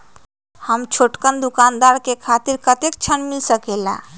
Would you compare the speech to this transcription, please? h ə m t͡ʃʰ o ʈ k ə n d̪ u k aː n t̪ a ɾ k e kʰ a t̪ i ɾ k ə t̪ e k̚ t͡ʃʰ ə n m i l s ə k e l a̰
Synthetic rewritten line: h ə m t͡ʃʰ o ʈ k ə n d̪ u k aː n d̪ a ɾ k e kʰ a t̪ i ɾ k ə t̪ e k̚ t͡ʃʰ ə n m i l s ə k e l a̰